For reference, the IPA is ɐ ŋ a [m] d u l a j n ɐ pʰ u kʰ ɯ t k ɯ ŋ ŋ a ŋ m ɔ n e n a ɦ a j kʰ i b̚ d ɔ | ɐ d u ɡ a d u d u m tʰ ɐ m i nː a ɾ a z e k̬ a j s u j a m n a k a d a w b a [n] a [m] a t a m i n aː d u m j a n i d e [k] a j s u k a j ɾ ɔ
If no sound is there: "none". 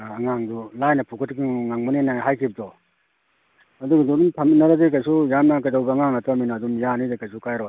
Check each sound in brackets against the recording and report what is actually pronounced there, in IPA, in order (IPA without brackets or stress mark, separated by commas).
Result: ŋ, ŋ, ŋ, k